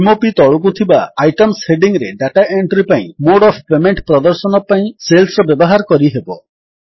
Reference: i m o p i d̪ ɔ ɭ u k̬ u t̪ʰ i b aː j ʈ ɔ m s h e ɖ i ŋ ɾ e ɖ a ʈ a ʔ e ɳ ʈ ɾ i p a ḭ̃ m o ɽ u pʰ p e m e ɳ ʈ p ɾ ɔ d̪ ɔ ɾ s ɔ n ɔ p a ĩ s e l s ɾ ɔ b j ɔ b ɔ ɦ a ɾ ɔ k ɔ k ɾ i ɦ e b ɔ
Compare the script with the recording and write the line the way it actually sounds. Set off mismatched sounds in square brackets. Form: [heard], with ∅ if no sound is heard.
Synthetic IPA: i m o p i [t̪] ɔ ɭ u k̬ u t̪ʰ i b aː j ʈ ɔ m s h e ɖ i ŋ ɾ e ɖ a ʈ a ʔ e ɳ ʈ ɾ i p a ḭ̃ m o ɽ [ɔ] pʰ p e m e ɳ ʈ p ɾ ɔ d̪ ɔ ɾ s ɔ n ɔ p a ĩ s e l s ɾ ɔ b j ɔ b ɔ ɦ a ɾ ɔ k ɔ [∅] ɾ i ɦ e b ɔ